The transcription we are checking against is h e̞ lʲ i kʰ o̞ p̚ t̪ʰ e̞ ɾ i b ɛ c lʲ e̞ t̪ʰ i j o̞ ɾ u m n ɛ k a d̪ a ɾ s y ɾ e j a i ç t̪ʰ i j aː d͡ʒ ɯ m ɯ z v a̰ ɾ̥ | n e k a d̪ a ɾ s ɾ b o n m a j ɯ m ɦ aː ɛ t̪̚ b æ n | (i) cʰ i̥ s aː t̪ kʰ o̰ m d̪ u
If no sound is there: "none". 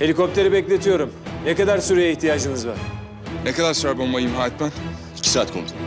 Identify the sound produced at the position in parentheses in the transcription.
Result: i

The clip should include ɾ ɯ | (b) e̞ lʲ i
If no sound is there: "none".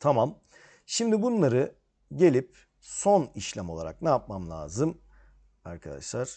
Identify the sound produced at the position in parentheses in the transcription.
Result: ɟ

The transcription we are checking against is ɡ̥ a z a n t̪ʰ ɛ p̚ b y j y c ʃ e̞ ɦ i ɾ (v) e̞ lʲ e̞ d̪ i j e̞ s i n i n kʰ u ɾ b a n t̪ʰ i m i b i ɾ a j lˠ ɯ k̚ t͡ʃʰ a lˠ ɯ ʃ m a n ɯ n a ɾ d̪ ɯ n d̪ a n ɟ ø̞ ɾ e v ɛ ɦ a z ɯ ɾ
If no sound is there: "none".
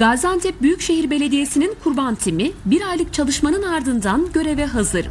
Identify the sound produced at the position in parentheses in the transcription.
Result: b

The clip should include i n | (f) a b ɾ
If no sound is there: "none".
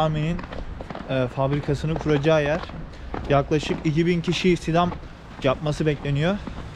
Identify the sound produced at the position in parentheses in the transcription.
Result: f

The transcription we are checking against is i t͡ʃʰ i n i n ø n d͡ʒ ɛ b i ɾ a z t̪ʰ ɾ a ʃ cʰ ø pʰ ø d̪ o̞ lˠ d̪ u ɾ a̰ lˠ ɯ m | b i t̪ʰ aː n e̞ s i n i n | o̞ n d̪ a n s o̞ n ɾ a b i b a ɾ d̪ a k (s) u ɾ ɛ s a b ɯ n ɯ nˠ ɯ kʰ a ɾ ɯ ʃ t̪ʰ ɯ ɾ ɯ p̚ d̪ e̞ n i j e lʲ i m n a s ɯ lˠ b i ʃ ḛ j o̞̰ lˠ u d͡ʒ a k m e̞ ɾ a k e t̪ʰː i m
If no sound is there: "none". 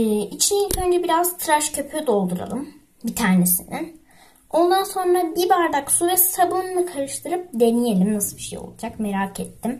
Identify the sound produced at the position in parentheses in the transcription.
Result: s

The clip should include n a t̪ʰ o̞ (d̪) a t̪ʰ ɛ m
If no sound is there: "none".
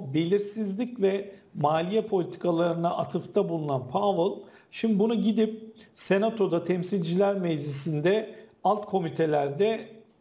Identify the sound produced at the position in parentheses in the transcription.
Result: d̪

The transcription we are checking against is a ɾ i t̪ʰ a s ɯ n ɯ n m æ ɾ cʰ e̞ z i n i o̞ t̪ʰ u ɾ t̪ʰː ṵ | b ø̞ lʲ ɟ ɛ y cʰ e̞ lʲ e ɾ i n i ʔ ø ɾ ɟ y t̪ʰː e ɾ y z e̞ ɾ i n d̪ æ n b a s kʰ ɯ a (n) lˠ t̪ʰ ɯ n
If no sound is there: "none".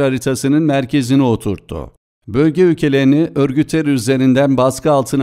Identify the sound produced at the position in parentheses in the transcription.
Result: none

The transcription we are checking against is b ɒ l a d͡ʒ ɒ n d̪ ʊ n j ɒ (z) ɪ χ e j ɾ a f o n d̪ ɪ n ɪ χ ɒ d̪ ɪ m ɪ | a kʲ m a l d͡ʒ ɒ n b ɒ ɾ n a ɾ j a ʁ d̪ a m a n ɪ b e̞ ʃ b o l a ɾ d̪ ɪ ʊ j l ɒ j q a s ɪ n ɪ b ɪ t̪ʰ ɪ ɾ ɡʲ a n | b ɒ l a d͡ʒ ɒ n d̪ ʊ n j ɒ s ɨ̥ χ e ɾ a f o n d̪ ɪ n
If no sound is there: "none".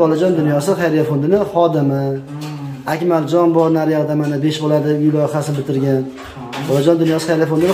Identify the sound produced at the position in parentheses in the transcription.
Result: s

